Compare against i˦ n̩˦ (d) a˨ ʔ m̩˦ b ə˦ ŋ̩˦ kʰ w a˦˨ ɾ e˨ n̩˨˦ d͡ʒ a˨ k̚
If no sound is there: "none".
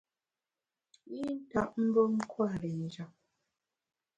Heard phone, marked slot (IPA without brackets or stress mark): t